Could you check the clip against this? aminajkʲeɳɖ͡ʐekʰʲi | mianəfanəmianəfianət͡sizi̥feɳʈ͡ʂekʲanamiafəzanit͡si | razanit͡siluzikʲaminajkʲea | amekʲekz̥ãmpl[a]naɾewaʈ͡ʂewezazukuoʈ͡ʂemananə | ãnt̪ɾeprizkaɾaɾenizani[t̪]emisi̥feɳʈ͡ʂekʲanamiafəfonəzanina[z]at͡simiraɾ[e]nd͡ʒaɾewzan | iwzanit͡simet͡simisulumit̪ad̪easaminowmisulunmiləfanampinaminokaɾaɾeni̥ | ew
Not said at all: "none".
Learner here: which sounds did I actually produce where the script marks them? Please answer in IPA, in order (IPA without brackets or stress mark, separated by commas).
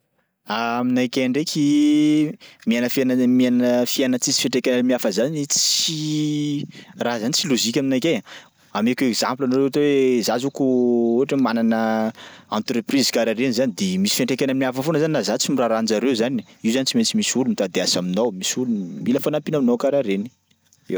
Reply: a, d̪, z, a